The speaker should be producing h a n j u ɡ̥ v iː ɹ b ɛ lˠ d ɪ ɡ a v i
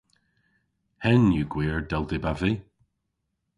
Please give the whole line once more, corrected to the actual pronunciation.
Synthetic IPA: h ɛ n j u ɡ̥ w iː ɹ d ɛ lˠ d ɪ b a v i

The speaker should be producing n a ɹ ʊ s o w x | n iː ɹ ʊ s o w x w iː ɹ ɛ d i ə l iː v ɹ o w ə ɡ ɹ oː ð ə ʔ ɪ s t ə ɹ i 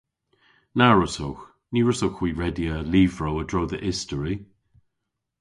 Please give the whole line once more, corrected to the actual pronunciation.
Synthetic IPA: n a ɹ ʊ s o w x | n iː ɹ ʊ s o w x w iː ɹ ɛ d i ə l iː v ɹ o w ə d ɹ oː ð ə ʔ ɪ s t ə ɹ i

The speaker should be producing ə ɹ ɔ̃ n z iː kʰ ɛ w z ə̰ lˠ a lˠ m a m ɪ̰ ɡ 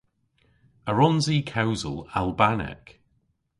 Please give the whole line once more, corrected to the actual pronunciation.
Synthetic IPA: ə ɹ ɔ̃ n z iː kʰ a w z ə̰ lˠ a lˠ b a n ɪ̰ k

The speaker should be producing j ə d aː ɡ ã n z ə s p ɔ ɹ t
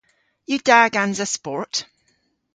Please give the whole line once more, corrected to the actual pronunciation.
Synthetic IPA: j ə d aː ɡ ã n z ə s p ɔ ɹ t

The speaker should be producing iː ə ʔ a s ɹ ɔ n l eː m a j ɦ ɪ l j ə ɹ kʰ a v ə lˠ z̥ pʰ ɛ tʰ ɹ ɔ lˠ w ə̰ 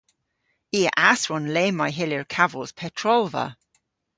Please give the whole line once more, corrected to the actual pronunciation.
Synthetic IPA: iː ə ʔ a s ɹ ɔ n l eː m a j ɦ ɪ l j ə ɹ kʰ a v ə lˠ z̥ pʰ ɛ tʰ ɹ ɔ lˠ v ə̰

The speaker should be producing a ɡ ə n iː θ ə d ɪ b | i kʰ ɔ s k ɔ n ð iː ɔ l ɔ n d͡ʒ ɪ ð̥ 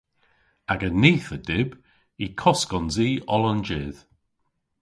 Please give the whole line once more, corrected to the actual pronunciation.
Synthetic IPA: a ɡ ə n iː θ ə d ɪ b | i kʰ ɔ s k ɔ n z iː ɔ l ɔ n d͡ʒ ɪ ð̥

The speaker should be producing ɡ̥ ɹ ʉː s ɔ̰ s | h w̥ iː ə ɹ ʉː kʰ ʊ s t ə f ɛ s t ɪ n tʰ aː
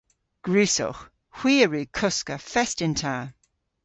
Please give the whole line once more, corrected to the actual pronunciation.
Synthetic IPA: ɡ̥ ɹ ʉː s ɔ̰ x | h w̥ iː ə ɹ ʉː kʰ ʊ s k ə f ɛ s t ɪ n tʰ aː

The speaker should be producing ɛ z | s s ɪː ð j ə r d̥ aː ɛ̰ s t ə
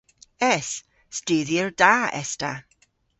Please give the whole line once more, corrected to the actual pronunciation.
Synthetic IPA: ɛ s | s t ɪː ð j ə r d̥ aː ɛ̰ s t a

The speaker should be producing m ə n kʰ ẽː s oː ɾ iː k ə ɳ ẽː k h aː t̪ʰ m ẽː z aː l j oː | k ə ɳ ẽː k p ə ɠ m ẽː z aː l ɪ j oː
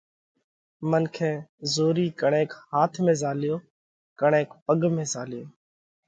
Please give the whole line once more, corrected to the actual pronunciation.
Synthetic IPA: m ə n kʰ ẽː z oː ɾ iː k ə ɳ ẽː k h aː t̪ʰ m ẽː z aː l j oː | k ə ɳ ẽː k p ə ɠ m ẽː z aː l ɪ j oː

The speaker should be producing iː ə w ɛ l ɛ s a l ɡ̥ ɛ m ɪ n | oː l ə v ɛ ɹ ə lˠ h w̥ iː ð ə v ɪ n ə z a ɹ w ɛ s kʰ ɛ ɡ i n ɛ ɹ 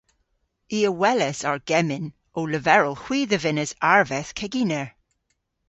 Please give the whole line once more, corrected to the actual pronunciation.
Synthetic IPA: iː ə w ɛ l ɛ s a ɹ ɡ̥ ɛ m ɪ n | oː l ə v ɛ ɹ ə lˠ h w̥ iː ð ə v ɪ n ə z a ɹ v ɛ θ kʰ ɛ ɡ i n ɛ ɹ

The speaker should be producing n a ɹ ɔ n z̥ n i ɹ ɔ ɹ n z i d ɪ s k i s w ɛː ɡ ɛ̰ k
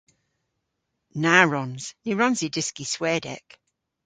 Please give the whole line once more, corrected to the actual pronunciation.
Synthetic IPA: n a ɹ ɔ n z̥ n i ɹ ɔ n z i d ɪ s k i s w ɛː d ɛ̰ k

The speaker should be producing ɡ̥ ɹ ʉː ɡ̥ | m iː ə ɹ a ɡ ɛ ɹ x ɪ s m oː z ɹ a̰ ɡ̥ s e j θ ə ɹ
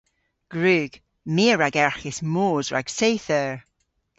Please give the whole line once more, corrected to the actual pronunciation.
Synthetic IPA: ɡ̥ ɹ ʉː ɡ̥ | m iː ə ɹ a ɡ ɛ ɹ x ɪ s m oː z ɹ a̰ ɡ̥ s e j θ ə ɹ

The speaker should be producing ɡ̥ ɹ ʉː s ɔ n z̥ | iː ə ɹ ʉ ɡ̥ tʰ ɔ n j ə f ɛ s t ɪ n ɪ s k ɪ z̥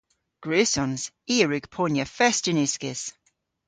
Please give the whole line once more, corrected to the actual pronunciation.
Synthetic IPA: ɡ̥ ɹ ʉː s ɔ n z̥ | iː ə ɹ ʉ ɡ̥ pʰ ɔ n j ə f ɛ s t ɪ n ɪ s k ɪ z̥

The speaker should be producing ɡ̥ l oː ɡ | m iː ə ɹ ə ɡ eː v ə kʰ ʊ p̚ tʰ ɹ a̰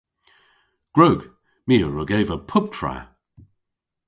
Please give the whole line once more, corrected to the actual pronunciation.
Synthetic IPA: ɡ̥ ɹ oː ɡ | m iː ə ɹ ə ɡ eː v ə pʰ ʊ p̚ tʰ ɹ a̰

